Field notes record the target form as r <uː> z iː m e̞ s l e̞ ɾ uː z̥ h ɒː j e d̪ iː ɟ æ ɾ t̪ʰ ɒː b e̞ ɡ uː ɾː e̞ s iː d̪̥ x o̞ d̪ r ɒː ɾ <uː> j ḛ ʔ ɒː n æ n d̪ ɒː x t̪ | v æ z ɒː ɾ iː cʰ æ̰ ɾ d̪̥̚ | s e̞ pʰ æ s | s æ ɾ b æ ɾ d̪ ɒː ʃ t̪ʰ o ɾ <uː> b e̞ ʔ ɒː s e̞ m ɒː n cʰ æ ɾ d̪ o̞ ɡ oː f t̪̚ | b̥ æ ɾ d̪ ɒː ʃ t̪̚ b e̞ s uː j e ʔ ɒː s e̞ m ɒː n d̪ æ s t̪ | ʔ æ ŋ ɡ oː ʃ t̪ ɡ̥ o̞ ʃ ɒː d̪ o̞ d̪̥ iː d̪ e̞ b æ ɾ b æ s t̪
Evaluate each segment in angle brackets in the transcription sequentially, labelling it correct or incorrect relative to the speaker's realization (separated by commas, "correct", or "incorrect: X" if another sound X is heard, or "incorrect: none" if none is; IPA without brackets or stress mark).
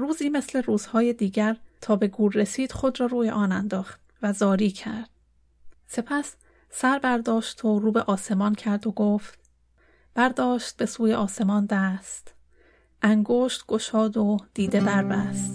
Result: correct, correct, correct